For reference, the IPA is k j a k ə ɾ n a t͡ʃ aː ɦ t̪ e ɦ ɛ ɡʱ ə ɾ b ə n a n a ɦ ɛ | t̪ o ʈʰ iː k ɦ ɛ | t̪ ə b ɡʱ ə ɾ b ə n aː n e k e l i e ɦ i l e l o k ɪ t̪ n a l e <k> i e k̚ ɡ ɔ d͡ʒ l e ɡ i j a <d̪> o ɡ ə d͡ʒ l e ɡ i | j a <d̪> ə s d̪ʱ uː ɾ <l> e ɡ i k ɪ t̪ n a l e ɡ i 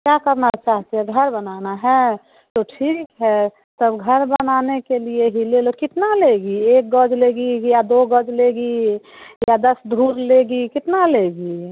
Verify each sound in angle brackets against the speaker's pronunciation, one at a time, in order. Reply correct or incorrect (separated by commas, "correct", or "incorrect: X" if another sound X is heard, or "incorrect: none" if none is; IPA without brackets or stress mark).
incorrect: ɡ, correct, correct, correct